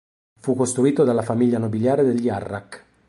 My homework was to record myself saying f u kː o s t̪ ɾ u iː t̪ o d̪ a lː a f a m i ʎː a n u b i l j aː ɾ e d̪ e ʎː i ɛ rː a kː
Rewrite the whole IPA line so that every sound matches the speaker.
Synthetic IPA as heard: f u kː o s t̪ ɾ u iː t̪ o d̪ a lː a f a m i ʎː a n o b i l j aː ɾ e d̪ e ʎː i a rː a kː

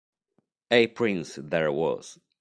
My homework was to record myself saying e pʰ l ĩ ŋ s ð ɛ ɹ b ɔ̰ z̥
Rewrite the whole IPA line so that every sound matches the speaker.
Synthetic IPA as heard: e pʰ ɹ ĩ n s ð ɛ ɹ w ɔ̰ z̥

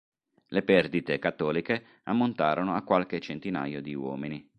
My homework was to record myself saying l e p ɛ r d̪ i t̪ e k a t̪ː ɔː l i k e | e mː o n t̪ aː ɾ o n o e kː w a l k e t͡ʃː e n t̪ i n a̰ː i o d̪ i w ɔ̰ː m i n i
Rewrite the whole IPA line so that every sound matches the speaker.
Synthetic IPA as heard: l e p ɛ r d̪ i t̪ e k a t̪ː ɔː l i k e | a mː o n t̪ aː ɾ o n o a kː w a l k e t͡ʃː e n t̪ i n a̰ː j o d̪ i w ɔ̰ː m i n i

